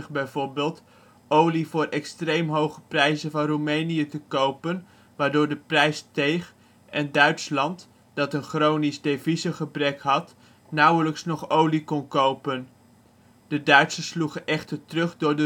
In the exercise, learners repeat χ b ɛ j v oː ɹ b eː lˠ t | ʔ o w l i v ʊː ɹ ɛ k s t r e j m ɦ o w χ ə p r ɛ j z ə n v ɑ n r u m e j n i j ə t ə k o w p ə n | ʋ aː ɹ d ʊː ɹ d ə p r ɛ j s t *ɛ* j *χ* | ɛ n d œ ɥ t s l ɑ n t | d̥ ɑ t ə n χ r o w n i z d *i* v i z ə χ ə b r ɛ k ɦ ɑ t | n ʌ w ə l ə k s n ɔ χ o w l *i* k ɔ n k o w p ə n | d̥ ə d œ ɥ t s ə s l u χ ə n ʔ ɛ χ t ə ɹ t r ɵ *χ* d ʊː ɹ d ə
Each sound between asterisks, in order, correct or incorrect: incorrect, correct, incorrect, correct, correct

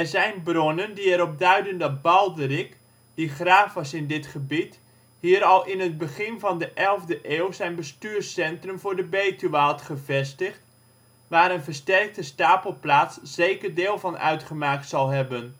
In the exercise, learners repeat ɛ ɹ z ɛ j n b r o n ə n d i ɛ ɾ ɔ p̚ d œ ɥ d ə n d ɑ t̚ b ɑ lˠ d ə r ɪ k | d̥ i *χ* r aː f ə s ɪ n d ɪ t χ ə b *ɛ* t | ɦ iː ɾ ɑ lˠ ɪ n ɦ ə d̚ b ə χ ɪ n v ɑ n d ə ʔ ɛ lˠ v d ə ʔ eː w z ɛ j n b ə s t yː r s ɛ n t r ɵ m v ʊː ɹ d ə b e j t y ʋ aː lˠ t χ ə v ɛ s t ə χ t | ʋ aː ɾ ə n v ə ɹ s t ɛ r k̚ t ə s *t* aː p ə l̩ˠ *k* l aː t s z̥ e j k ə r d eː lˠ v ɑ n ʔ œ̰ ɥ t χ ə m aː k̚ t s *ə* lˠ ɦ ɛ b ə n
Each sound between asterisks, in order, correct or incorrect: correct, incorrect, correct, incorrect, incorrect

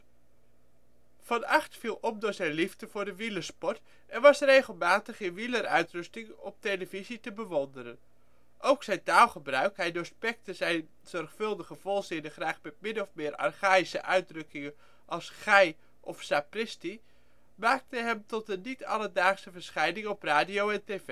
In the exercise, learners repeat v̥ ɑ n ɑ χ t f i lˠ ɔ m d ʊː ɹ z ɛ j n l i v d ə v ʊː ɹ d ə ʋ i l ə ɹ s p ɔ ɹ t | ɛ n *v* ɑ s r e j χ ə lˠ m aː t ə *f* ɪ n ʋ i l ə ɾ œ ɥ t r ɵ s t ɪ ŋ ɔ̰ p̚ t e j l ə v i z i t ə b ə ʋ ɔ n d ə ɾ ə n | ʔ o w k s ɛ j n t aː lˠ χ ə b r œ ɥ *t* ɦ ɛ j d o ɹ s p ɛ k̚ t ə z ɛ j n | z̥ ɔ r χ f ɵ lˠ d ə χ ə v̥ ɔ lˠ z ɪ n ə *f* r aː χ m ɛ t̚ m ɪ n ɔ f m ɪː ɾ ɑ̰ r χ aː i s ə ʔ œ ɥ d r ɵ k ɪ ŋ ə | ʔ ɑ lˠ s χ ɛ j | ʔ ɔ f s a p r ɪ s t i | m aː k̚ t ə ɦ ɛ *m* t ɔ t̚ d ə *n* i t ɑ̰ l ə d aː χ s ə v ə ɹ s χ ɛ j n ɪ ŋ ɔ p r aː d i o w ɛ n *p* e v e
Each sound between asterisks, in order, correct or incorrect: incorrect, incorrect, incorrect, incorrect, correct, correct, incorrect

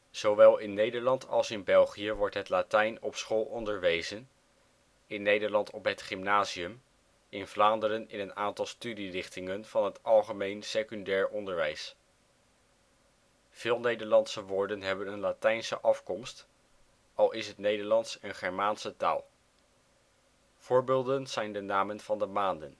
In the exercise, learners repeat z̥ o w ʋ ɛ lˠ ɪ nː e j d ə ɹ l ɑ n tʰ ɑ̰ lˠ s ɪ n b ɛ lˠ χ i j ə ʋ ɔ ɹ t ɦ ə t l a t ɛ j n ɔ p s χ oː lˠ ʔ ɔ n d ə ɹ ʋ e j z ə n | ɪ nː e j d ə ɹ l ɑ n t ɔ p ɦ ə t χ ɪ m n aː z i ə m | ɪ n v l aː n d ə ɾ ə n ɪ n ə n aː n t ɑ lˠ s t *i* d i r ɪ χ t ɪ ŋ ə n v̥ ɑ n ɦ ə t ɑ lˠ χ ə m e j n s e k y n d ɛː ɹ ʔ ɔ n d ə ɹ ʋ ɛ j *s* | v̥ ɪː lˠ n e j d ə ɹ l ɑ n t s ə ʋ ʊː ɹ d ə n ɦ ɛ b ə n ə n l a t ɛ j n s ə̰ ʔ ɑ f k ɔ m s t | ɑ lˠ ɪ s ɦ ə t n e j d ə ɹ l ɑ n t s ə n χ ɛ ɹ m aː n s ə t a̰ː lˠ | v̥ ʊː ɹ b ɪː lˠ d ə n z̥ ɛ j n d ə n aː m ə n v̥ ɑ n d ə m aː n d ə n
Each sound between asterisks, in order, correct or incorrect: incorrect, correct

